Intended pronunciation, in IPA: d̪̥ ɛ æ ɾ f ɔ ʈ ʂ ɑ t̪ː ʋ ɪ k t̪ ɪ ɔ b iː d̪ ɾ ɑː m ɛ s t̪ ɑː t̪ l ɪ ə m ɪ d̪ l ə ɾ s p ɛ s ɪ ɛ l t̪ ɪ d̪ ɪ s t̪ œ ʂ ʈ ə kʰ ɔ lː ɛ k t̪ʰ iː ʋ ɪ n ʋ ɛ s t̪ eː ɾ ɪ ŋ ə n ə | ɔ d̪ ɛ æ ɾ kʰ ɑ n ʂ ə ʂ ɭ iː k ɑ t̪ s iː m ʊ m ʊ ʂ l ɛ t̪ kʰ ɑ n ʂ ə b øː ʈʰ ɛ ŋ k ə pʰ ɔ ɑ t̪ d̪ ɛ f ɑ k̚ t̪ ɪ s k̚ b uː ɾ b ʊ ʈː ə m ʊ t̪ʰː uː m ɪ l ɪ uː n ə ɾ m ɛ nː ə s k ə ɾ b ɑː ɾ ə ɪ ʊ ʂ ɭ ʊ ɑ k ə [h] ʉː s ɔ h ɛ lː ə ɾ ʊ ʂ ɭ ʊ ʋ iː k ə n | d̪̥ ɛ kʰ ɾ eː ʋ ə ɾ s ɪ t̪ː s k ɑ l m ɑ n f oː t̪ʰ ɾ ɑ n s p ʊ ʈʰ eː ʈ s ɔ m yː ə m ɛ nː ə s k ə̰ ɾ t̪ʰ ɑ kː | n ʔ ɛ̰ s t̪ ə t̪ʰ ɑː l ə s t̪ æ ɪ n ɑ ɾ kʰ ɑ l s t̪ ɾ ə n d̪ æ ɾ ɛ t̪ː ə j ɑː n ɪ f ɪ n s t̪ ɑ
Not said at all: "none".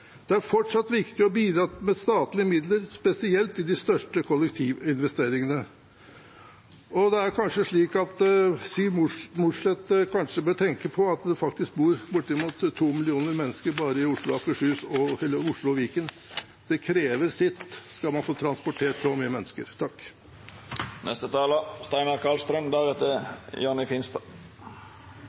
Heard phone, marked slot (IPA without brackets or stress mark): ʂ